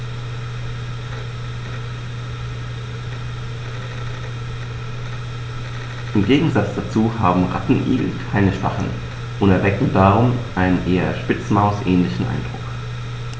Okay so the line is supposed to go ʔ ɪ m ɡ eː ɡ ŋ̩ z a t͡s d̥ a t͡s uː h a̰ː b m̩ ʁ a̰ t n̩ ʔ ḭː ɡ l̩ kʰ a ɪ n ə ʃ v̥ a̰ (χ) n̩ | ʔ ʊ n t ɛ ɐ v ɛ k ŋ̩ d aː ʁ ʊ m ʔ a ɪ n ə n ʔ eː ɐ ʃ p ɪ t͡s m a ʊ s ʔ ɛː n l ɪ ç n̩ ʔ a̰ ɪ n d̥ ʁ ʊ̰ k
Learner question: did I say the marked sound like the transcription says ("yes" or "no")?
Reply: yes